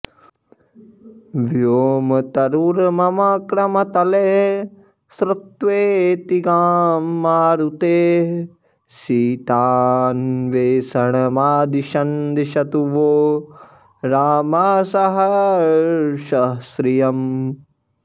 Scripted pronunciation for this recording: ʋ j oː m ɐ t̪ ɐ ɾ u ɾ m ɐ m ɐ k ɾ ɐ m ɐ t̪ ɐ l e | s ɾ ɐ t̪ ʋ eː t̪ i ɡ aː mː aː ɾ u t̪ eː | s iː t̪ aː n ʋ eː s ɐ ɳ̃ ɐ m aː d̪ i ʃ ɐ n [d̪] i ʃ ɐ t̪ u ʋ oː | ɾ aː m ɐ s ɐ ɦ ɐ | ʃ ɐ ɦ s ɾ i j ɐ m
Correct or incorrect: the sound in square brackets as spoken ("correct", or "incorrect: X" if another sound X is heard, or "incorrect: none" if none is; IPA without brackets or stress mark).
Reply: correct